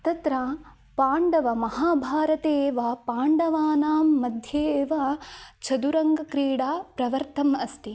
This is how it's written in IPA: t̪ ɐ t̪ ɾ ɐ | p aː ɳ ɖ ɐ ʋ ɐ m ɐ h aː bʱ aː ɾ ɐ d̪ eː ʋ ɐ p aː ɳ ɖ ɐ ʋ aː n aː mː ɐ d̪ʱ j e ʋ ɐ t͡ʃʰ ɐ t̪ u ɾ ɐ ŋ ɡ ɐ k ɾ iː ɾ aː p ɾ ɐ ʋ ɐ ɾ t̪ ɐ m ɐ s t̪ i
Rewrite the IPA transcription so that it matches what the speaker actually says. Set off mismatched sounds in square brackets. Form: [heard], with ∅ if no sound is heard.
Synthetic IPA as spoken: t̪ ɐ t̪ ɾ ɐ | p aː ɳ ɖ ɐ ʋ ɐ m ɐ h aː bʱ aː ɾ ɐ [t̪] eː ʋ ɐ p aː ɳ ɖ ɐ ʋ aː n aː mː ɐ d̪ʱ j e ʋ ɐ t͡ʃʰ ɐ [d̪] u ɾ ɐ ŋ ɡ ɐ k ɾ iː [ɽ] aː p ɾ ɐ ʋ ɐ ɾ t̪ ɐ m ɐ s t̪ i